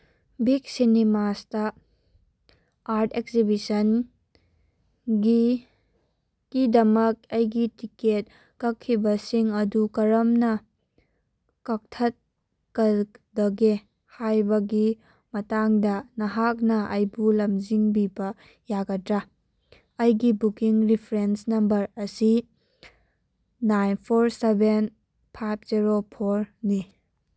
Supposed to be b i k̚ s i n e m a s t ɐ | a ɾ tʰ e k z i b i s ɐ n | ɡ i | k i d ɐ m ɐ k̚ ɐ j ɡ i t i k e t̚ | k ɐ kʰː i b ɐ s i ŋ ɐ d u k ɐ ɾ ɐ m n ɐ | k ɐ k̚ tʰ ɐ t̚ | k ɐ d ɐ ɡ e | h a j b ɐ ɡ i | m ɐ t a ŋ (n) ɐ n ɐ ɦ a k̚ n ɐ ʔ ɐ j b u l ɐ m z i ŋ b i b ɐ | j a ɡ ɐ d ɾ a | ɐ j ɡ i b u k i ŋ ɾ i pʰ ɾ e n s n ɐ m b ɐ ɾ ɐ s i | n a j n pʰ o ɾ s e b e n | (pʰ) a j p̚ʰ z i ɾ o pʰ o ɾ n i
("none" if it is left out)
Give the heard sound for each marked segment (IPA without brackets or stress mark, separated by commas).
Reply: d, pʰ